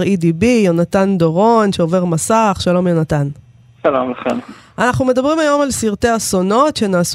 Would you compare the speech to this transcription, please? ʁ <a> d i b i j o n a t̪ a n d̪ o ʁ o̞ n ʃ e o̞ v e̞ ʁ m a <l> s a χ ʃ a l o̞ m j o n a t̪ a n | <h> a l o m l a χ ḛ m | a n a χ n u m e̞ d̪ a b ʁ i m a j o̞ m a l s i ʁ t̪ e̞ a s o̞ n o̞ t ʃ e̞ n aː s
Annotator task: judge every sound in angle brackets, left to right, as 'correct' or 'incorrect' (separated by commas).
incorrect, incorrect, incorrect